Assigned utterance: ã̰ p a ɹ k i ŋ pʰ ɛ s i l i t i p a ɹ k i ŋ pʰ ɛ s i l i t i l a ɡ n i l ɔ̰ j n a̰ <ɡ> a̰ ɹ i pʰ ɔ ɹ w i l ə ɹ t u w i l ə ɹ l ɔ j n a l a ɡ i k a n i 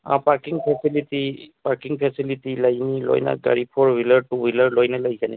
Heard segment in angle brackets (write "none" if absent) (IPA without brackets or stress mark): ɡ